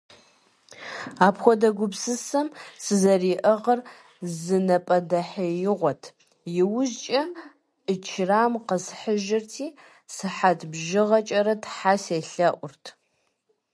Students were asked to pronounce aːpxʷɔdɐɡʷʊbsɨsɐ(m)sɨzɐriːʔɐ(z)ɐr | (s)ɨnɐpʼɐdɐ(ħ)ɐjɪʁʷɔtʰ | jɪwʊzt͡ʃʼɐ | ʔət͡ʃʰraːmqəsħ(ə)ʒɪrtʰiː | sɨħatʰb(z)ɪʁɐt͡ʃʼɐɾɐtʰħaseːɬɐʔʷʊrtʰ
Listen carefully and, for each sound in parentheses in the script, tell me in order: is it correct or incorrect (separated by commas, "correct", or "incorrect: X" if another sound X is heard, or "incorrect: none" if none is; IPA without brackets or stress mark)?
correct, incorrect: ʁ, incorrect: z, correct, correct, incorrect: ʒ